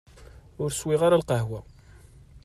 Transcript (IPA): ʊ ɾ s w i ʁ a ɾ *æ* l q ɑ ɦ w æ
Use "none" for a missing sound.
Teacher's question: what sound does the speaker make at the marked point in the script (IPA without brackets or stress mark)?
a